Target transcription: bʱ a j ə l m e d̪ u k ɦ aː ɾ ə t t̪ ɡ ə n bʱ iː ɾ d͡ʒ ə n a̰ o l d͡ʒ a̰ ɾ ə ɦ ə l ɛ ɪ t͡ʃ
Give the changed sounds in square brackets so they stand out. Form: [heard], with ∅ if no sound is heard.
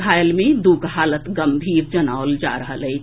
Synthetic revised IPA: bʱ a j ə l m e d̪ u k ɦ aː [l] ə t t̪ ɡ ə [m] bʱ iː ɾ d͡ʒ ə n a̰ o l d͡ʒ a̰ ɾ ə ɦ ə l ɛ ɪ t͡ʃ